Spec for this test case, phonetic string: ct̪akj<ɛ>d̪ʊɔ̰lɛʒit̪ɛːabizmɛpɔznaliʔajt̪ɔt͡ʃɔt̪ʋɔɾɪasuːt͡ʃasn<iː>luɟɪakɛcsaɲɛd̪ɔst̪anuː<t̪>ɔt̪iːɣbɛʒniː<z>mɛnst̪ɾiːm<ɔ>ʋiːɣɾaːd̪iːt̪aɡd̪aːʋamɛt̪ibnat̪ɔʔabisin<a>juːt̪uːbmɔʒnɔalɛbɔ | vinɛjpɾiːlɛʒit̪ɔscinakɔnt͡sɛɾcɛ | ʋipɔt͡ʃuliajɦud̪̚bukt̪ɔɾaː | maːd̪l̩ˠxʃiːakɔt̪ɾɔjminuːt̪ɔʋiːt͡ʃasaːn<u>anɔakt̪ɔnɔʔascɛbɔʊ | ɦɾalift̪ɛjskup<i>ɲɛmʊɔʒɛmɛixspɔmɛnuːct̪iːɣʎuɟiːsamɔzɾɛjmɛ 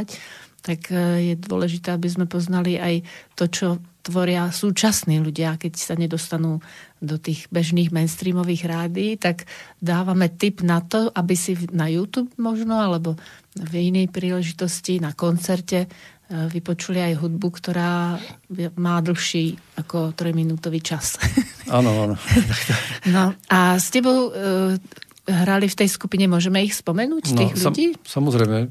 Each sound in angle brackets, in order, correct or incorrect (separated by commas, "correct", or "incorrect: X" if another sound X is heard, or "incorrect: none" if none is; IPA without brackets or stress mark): correct, correct, incorrect: d̪, incorrect: ɣ, correct, correct, incorrect: ɔ, correct